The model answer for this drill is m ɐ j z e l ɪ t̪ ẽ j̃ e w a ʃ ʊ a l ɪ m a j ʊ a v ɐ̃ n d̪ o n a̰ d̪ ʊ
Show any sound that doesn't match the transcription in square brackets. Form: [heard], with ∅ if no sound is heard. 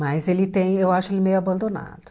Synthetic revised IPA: m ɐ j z e l ɪ t̪ ẽ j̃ e w a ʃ ʊ [e] l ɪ m [e] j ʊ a [b] ɐ̃ n d̪ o n a̰ d̪ ʊ

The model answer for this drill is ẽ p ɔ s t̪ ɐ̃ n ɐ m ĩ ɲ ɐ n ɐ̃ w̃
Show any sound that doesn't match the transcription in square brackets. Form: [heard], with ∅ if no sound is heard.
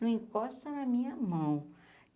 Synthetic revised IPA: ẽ [k] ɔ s t̪ [ɐ] n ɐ m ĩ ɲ ɐ [m] ɐ̃ w̃

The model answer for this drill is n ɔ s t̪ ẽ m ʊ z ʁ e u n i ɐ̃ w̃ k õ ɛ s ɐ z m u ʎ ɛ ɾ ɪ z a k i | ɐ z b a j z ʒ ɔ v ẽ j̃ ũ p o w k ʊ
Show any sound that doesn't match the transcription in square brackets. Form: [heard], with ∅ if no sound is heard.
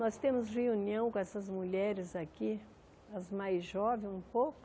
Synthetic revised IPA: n ɔ s t̪ ẽ m ʊ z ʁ e u n i ɐ̃ w̃ k õ ɛ s ɐ z m u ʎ ɛ ɾ ɪ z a k i | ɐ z [m] a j z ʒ ɔ v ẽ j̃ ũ p o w k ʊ

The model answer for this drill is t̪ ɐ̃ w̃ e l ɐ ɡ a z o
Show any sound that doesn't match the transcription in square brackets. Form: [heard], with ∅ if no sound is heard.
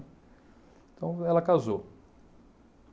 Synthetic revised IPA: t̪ ɐ̃ w̃ [ɛ] l ɐ [k] a z o

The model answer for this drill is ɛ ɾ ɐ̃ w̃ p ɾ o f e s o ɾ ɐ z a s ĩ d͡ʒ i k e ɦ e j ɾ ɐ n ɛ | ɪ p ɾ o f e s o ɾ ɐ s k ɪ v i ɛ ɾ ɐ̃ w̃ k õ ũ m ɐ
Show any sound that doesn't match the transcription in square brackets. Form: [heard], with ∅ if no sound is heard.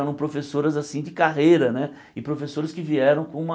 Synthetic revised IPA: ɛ ɾ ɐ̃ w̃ p ɾ o f e s o ɾ ɐ z a s ĩ d͡ʒ [ɪ] k [a] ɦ e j ɾ ɐ n ɛ | ɪ p ɾ o f e s o ɾ ɐ s k ɪ v i ɛ ɾ ɐ̃ w̃ k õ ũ m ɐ

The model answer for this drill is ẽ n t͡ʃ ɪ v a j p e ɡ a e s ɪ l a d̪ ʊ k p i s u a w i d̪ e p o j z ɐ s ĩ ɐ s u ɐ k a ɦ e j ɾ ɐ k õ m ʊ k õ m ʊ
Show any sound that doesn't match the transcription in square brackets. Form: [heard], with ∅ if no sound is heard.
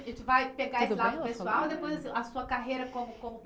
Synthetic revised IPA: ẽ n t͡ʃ ɪ v a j p e ɡ a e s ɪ l a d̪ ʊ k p [e] s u a w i d̪ e p o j z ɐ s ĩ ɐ s u ɐ k a ɦ e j ɾ ɐ k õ m ʊ k õ m ʊ

